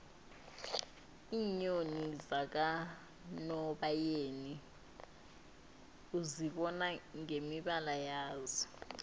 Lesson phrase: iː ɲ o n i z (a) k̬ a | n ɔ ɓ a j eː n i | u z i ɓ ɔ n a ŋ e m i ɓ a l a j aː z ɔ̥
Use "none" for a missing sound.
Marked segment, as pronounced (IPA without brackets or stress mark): a